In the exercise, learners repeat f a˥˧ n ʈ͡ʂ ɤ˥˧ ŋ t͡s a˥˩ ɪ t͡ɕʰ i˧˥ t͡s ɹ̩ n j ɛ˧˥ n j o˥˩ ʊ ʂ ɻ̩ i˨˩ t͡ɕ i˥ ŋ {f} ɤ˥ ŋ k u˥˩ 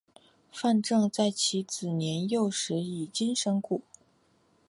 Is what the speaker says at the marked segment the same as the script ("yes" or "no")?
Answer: no